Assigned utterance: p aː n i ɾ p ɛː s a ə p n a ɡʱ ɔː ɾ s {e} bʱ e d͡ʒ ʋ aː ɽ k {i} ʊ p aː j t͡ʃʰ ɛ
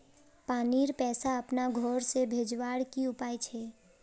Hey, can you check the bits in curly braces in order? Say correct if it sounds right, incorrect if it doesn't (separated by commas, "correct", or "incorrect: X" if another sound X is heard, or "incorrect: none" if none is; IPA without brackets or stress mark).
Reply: correct, correct